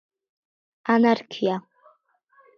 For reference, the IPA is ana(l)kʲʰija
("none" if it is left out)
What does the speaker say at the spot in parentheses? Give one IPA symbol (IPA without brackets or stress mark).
r